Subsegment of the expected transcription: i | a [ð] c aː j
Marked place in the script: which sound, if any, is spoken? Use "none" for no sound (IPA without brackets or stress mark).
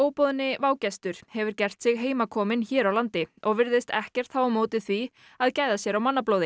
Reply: ð